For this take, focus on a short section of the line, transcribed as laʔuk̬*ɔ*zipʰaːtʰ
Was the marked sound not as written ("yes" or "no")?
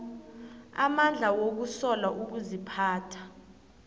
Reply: yes